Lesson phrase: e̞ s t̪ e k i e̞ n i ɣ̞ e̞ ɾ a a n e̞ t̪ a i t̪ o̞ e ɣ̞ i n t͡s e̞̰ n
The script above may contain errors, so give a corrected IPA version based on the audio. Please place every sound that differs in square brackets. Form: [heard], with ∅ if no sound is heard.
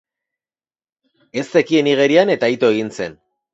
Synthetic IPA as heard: e̞ s t̪ e k i e̞ n i ɣ̞ e̞ ɾ [i] a n e̞ t̪ a i t̪ o̞ e ɣ̞ i n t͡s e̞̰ n